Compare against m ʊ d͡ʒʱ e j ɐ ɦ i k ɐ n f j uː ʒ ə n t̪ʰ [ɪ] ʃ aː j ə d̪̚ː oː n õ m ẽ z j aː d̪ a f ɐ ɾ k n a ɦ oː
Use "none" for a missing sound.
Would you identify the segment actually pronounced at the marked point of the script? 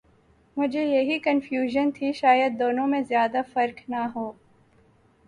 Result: i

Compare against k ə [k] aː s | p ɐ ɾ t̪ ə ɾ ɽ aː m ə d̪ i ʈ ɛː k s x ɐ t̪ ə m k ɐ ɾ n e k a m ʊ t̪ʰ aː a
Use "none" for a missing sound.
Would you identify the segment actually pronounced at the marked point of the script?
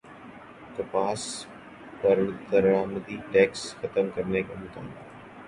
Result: p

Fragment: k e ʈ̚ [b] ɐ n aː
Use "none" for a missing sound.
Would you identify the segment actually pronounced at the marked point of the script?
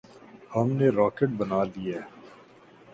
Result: b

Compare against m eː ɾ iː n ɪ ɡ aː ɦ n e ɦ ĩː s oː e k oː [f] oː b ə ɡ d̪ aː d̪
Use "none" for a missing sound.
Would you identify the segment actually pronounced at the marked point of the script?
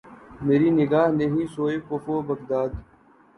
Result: f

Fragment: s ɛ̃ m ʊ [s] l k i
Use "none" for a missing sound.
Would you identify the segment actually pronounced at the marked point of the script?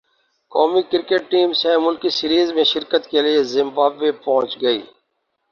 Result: none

